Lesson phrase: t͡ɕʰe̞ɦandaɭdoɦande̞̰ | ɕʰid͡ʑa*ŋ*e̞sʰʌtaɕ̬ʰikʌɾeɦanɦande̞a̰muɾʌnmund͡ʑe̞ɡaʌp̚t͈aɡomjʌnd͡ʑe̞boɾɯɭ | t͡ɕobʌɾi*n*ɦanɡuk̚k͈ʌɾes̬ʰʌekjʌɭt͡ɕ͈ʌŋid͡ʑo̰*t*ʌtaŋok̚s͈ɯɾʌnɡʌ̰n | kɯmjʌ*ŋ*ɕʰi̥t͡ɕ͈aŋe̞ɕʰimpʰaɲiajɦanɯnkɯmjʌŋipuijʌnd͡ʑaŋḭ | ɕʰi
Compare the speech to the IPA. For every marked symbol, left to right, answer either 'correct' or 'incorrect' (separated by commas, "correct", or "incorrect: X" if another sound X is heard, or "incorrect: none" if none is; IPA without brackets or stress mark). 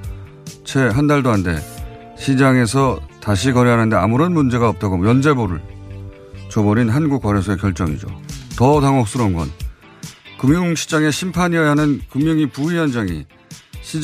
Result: correct, correct, correct, correct